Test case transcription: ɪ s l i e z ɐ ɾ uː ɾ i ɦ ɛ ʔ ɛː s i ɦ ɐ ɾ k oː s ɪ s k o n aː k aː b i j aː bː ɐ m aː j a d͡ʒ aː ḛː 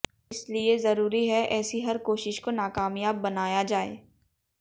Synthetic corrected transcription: ɪ s l i e z ɐ ɾ uː ɾ i ɦ ɛ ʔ ɛː s i ɦ ɐ ɾ k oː ʃ ɪ ʃ k o n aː k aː m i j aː bː ɐ n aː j a d͡ʒ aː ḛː